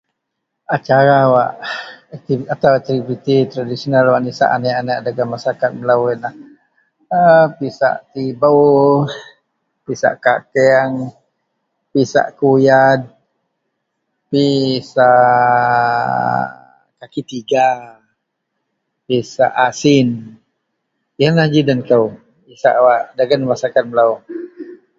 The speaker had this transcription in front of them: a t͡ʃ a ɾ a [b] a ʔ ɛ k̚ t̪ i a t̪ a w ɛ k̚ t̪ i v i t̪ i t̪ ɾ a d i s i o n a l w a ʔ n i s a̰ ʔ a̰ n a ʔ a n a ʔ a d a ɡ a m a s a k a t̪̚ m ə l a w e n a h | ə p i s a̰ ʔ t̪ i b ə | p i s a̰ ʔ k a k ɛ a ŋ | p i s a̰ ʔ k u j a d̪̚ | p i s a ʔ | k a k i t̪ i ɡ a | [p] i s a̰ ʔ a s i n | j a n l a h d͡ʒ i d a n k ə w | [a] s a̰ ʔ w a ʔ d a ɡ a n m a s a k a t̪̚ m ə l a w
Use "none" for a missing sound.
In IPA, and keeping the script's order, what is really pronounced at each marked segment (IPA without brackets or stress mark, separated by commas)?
w, p, i